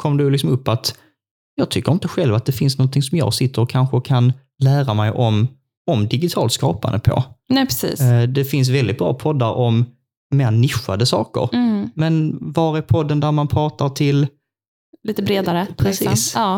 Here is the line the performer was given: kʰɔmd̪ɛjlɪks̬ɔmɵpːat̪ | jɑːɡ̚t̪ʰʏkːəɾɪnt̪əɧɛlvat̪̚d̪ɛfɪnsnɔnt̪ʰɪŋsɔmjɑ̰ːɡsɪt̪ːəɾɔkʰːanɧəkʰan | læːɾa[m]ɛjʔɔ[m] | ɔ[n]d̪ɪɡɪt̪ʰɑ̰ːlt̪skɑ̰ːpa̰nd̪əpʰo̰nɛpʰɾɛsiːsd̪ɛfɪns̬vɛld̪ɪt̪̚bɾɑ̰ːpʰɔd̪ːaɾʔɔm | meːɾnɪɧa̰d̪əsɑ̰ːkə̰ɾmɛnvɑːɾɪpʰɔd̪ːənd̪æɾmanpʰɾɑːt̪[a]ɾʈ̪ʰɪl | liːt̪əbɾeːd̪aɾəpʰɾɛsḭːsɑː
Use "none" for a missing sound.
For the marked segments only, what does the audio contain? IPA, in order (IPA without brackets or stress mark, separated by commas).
m, m, m, a